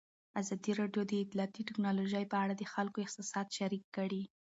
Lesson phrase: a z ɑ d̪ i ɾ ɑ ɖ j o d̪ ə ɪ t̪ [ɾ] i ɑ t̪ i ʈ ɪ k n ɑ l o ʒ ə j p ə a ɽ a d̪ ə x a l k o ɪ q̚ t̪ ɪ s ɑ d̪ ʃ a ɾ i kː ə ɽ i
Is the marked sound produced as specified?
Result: no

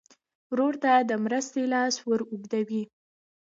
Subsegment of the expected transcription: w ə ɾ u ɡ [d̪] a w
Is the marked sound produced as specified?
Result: yes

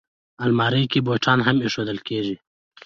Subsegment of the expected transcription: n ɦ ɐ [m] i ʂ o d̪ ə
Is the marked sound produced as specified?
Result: yes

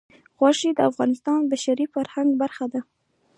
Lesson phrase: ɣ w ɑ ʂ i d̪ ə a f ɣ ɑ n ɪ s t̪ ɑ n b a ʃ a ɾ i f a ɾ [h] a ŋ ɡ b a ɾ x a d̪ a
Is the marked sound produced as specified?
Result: yes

